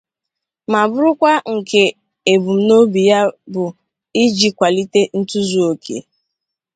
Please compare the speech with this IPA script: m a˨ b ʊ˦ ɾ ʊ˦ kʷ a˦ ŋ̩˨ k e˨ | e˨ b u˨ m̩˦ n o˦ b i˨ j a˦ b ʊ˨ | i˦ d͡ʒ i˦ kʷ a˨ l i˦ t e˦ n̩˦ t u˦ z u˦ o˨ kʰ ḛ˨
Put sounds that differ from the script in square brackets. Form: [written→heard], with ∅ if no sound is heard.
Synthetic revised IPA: m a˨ b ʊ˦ ɾ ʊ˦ kʷ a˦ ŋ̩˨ k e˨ | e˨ b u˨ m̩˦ n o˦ b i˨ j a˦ b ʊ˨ | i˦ d͡ʒ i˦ kʷ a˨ l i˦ t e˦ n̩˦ t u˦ z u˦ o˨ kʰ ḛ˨